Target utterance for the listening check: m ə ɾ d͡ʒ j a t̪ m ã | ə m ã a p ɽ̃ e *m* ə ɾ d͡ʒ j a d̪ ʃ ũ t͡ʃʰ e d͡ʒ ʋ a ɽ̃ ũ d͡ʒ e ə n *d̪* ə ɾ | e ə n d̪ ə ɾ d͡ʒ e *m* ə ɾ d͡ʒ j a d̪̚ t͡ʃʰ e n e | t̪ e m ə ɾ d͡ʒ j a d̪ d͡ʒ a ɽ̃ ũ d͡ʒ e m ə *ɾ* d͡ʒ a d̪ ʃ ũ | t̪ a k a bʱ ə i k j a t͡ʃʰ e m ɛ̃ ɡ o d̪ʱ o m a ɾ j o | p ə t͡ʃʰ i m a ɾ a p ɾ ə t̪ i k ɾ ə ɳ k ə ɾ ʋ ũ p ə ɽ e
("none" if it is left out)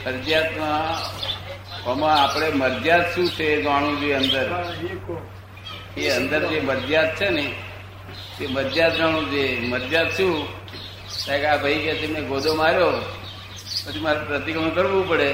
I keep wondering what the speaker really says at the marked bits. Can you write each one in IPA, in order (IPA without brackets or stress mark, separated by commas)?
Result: m, d̪, m, ɾ